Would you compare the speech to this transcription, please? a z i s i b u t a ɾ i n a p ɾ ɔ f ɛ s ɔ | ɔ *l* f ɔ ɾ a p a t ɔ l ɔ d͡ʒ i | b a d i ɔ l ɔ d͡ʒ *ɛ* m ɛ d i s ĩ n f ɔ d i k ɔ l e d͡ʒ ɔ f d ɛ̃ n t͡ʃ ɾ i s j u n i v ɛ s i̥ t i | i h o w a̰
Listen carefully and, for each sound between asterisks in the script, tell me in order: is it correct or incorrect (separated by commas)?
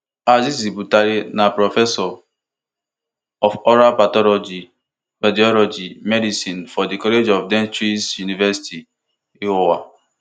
incorrect, incorrect